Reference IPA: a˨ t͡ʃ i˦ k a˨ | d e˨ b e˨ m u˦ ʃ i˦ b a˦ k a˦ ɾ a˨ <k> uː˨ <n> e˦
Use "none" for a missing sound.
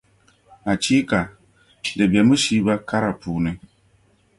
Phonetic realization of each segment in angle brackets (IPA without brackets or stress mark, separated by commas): p, n